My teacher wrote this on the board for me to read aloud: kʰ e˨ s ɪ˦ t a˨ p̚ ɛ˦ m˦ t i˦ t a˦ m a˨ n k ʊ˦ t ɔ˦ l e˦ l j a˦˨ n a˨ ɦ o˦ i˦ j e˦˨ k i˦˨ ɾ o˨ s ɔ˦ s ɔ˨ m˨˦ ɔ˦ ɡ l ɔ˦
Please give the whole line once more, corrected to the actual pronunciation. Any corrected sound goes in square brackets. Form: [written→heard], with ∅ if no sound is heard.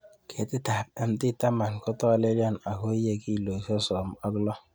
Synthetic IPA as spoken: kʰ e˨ [s→t] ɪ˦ t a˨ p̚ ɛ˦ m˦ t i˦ t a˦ m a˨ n k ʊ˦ t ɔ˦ l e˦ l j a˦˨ n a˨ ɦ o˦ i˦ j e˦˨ k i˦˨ [ɾ→l] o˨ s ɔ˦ s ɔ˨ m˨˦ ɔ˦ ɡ l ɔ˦